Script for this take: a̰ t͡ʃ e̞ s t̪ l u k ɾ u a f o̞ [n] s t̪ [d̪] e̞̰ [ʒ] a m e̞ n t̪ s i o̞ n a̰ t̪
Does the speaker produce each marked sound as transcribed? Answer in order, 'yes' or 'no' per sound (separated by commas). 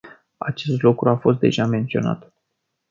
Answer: no, yes, yes